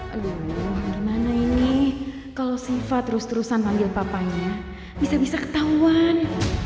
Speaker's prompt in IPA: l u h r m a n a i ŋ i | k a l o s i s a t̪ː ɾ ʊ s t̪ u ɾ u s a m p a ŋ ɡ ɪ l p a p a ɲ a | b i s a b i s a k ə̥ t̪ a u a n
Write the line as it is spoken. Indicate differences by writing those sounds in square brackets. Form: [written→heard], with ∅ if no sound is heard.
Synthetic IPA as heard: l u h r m a n a i [ŋ→n] i | k a l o s i [s→f] a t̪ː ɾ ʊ s t̪ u ɾ u s a [m→n] p a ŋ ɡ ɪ l p a p a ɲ a | b i s a b i s a k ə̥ t̪ a u a n